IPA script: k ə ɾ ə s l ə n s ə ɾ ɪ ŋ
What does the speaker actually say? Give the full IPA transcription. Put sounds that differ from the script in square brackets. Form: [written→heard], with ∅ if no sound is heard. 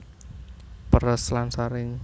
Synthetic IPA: [k→p] ə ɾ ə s l [ə→a] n s [ə→a] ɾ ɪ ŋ